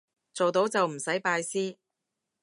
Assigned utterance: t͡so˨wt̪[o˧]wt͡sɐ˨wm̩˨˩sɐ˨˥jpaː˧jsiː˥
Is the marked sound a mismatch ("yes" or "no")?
yes